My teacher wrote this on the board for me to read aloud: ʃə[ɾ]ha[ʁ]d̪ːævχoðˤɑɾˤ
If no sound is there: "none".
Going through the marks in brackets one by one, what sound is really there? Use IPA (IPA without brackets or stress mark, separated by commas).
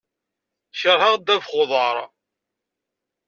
ɾ, ʁ